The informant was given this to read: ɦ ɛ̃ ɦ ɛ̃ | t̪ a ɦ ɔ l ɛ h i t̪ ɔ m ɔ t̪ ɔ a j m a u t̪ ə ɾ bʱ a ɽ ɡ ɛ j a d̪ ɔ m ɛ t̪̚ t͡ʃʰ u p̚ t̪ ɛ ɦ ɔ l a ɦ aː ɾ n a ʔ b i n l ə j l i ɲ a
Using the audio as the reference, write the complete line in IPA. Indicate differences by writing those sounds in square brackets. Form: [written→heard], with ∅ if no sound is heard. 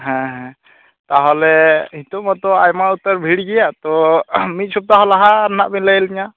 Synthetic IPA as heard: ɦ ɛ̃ ɦ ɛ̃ | t̪ a ɦ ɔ l ɛ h i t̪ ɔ m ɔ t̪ ɔ a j m a u t̪ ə ɾ bʱ [a→i] ɽ ɡ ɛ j a [d̪→t̪] ɔ m [ɛ→i] t̪̚ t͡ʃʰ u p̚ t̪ [ɛ→a] ɦ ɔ l a ɦ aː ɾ n a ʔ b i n l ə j l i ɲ a